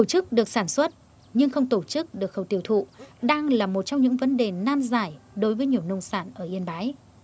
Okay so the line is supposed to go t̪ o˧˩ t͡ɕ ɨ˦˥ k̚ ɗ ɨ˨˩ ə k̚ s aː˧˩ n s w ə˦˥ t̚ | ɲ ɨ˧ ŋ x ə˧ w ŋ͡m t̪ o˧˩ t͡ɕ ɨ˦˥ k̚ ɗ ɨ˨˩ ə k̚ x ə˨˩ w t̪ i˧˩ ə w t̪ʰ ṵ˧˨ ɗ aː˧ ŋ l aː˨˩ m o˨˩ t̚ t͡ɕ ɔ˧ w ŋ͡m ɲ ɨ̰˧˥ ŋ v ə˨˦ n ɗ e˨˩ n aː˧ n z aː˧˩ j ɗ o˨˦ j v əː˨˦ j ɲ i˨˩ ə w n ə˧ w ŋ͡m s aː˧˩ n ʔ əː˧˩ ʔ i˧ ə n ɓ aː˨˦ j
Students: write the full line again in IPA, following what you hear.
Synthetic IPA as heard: t̪ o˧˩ t͡ɕ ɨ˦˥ k̚ ɗ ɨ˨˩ ə k̚ s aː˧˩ n s w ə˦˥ t̚ | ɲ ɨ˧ ŋ x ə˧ w ŋ͡m t̪ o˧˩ t͡ɕ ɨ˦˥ k̚ ɗ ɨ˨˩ ə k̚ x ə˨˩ w t̪ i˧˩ ə w t̪ʰ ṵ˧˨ ɗ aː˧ ŋ l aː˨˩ m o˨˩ t̚ t͡ɕ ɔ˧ w ŋ͡m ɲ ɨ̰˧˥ ŋ v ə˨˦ n ɗ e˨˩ n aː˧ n z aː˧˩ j ɗ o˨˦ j v əː˨˦ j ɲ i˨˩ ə w n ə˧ w ŋ͡m s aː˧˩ n ʔ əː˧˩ ʔ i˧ ə n ɓ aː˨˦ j